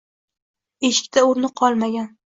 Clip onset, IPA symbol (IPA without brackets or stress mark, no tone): e̞